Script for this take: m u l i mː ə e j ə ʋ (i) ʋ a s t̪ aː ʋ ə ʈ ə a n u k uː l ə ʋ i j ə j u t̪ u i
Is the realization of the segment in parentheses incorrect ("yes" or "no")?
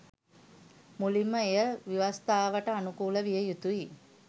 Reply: no